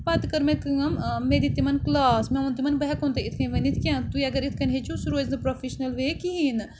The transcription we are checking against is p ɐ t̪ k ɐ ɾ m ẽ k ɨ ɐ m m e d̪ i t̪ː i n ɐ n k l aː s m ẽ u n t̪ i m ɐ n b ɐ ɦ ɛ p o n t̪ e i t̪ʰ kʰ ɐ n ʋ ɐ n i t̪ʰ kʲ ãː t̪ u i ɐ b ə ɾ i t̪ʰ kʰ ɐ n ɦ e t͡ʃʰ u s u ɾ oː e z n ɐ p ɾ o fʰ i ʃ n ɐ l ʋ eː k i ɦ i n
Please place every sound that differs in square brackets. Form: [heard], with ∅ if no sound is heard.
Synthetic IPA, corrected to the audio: p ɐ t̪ k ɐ ɾ m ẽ k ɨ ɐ m m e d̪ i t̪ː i [m] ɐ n k l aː s m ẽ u n t̪ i m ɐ n b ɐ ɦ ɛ [k] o n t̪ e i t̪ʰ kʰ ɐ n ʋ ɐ n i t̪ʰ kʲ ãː t̪ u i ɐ [ɡ] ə ɾ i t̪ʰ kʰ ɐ n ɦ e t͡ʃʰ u s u ɾ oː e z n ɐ p ɾ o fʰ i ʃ n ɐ l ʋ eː k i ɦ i n